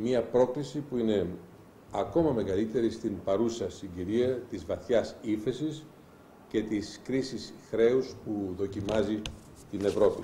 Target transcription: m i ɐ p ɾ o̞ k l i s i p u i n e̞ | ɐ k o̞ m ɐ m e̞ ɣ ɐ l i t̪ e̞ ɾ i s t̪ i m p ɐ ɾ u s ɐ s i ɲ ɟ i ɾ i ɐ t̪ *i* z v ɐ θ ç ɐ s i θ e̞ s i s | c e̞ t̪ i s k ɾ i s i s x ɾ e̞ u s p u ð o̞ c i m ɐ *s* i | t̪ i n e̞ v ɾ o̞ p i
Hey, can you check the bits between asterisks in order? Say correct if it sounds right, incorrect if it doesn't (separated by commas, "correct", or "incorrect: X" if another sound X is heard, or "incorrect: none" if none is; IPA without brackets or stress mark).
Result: correct, incorrect: z